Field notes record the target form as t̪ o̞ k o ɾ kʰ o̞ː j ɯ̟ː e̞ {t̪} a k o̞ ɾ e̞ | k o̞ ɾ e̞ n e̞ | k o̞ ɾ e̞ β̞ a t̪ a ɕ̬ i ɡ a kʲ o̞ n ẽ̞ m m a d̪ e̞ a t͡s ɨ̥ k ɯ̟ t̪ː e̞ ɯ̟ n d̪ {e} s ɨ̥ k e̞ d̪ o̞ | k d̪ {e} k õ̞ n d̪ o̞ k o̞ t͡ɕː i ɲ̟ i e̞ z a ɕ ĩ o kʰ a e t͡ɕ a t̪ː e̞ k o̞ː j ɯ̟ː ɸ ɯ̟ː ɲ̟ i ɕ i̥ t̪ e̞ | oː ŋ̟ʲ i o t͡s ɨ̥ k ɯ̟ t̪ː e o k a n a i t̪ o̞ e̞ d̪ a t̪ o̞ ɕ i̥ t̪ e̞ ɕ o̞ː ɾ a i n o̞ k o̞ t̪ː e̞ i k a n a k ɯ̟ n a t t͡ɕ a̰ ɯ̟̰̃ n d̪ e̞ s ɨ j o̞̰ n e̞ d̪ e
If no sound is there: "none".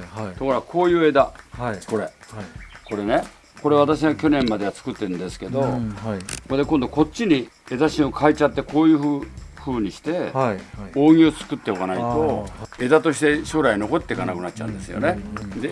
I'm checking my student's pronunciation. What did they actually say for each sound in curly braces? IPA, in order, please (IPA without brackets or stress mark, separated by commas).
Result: d̪, e, e